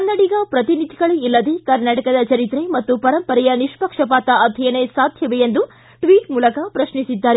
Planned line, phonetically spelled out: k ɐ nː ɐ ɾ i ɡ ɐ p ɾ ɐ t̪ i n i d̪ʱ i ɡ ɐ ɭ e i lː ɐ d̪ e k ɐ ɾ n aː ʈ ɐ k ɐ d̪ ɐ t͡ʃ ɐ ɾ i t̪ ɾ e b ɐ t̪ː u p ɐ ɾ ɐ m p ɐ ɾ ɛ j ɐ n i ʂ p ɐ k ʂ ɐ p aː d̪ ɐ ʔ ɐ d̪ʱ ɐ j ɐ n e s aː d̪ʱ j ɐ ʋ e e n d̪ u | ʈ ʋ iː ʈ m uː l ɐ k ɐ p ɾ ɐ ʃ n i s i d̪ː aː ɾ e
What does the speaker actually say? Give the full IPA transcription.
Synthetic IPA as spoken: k ɐ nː ɐ ɽ i ɡ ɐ p ɾ ɐ t̪ i n i d̪ʱ i ɡ ɐ ɭ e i lː ɐ d̪ e k ɐ ɾ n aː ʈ ɐ k ɐ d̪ ɐ t͡ʃ ɐ ɾ i t̪ ɾ e m ɐ t̪ː u p ɐ ɾ ɐ m p ɐ ɾ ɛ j ɐ n i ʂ p ɐ k ʂ ɐ p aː t̪ ɐ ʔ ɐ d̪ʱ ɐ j ɐ n e s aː d̪ʱ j ɐ ʋ e e n d̪ u | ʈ ʋ iː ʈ m uː l ɐ k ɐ p ɾ ɐ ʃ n i s i d̪ː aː ɾ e